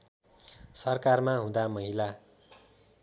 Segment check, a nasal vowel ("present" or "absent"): present